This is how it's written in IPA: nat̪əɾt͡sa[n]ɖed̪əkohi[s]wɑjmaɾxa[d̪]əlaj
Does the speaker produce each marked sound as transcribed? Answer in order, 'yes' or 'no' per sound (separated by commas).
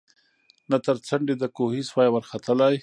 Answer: no, yes, no